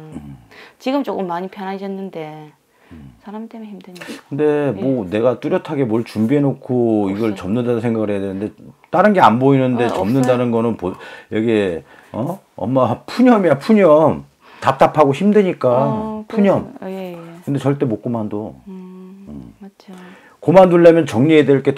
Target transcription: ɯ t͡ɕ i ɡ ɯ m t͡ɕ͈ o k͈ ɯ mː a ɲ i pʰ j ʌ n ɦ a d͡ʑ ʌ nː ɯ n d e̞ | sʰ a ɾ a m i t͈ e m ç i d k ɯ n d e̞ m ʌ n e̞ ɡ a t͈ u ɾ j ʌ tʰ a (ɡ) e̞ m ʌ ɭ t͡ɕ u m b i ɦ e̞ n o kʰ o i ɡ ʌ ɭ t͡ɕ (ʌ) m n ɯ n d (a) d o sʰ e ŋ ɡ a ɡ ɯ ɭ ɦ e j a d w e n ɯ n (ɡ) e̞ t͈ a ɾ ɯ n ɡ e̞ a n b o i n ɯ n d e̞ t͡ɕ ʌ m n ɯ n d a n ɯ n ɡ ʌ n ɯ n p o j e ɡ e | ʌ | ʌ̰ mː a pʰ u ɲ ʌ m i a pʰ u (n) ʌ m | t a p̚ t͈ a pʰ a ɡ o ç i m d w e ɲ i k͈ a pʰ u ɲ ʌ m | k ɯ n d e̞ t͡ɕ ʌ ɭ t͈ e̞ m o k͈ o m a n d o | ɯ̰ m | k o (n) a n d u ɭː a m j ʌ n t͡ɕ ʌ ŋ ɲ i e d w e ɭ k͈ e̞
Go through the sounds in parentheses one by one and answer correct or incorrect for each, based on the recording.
correct, correct, correct, incorrect, incorrect, incorrect

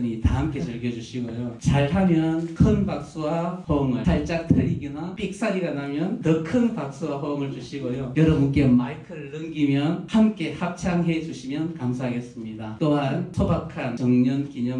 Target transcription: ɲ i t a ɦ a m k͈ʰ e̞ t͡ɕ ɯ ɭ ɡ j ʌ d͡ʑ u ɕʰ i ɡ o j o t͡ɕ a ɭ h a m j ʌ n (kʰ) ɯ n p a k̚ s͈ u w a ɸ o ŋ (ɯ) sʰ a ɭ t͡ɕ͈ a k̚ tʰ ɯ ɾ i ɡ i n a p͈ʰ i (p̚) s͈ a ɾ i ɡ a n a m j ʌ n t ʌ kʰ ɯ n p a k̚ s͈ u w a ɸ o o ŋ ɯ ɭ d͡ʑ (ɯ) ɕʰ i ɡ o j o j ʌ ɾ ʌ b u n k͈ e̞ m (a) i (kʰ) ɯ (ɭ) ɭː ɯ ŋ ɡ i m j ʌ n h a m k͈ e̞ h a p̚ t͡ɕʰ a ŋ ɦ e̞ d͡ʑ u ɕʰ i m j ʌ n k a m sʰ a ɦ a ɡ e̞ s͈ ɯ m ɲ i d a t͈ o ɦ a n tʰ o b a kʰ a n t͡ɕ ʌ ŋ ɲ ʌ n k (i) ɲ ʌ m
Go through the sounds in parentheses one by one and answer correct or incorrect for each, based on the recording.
correct, correct, incorrect, incorrect, correct, correct, incorrect, correct

